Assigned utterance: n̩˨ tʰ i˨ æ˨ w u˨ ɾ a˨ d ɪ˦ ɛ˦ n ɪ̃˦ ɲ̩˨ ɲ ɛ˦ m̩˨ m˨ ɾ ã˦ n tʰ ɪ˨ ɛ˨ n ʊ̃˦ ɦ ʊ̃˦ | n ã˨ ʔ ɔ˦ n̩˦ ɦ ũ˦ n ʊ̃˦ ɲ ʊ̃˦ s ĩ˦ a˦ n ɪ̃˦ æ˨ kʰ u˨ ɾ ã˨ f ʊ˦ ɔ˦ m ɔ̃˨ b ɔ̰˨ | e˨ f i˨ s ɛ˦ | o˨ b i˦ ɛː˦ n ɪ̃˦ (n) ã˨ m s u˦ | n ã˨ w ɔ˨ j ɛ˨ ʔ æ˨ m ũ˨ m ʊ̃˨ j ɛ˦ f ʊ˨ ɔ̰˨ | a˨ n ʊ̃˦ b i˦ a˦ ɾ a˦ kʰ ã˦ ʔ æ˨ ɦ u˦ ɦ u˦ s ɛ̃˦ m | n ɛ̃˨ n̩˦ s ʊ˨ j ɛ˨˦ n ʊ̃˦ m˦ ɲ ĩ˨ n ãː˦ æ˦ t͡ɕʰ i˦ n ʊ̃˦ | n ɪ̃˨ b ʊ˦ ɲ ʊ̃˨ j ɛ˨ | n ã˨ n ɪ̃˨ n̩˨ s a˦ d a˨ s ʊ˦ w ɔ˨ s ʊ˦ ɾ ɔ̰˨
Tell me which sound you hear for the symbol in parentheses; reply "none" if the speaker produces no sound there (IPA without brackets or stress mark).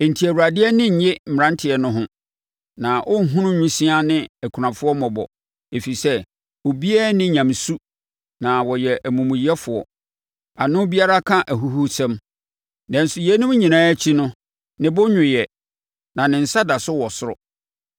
ɲ